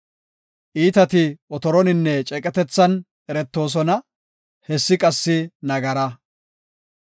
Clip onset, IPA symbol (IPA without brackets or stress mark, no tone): ʔ